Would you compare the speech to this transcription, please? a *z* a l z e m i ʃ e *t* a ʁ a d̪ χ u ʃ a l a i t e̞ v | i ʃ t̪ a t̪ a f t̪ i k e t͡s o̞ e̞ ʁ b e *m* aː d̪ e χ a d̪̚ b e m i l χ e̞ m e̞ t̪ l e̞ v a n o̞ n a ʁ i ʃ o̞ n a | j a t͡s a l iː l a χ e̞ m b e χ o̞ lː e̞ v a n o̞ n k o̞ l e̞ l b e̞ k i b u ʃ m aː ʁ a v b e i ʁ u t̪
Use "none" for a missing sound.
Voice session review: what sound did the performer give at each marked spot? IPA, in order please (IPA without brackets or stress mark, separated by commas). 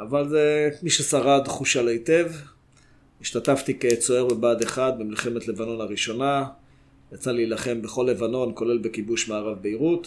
v, s, b